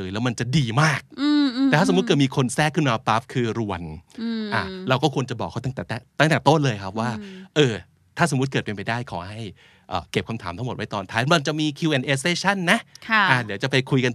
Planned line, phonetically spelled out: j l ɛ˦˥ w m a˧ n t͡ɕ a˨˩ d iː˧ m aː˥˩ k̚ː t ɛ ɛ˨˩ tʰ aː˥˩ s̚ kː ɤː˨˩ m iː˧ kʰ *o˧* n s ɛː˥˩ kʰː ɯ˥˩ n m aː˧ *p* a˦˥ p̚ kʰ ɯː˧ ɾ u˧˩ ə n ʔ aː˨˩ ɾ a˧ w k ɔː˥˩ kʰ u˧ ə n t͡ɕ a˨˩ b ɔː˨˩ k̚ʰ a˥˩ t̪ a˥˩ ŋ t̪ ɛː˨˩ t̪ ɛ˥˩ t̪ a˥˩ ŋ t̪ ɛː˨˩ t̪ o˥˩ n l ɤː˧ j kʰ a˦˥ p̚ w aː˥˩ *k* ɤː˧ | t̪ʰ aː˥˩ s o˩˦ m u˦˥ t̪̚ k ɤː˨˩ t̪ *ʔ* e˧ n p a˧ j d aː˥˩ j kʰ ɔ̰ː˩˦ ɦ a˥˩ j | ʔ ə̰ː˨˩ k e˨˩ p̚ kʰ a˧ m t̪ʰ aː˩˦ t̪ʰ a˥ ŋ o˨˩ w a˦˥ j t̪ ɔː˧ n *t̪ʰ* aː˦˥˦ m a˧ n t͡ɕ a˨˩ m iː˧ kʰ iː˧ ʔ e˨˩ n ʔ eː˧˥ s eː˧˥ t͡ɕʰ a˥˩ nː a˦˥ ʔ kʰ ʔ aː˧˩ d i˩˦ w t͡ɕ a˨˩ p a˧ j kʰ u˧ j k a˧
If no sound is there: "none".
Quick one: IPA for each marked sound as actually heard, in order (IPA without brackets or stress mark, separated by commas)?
o˧, p, ʔ, p, t̪ʰ